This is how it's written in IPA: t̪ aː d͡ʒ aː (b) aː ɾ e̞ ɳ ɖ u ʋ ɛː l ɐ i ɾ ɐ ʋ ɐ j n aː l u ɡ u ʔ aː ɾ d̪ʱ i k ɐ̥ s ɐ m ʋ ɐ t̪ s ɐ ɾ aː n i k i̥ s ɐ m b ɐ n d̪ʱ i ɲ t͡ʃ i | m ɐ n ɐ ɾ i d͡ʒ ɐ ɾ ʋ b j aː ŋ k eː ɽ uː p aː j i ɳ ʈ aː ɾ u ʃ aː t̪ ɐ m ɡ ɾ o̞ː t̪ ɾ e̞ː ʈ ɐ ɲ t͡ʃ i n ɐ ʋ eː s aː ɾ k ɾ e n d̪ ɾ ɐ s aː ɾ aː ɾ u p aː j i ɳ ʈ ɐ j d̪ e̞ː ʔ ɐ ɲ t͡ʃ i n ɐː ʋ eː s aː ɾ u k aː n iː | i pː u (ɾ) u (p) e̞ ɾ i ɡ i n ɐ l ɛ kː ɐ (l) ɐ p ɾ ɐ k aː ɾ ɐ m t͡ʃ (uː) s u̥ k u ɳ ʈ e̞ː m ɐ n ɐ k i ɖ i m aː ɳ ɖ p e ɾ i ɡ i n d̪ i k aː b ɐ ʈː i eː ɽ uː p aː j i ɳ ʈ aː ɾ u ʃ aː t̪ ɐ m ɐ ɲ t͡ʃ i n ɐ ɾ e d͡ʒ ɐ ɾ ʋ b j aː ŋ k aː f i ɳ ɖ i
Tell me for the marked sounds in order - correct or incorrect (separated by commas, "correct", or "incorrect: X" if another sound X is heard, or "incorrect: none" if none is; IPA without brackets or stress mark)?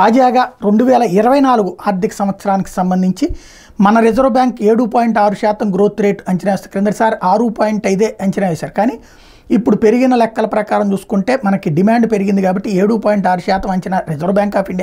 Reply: incorrect: ɡ, incorrect: ɽ, correct, correct, correct